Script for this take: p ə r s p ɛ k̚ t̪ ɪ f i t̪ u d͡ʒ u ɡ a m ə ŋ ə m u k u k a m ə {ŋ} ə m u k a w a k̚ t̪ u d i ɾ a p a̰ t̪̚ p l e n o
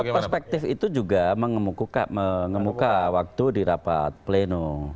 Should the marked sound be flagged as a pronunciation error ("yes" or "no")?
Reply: no